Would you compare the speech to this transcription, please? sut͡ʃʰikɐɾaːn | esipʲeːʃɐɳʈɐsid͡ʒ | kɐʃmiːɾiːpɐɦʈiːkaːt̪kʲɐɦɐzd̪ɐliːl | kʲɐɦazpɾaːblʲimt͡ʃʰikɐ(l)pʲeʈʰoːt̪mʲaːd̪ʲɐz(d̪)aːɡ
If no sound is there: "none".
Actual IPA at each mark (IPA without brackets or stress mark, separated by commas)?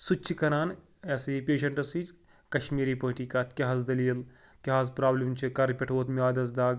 ɾ, d̪